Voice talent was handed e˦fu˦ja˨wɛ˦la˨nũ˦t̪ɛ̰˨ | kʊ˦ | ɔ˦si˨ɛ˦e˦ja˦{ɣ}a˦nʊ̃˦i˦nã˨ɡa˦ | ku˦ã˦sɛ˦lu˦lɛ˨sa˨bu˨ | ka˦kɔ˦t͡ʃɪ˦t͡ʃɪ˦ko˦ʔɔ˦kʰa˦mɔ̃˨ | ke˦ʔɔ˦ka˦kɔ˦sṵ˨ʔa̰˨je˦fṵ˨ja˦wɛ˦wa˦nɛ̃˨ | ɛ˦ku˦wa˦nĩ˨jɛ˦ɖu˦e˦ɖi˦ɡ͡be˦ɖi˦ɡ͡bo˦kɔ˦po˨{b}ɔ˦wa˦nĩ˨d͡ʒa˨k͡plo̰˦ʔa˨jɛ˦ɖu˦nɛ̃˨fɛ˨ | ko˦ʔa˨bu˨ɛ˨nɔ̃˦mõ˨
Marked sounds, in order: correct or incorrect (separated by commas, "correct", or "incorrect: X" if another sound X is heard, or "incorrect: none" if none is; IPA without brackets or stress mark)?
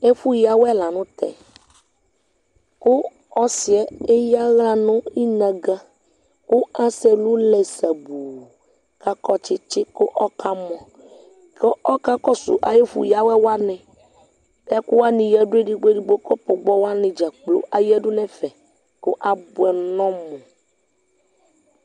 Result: correct, incorrect: ɡ͡b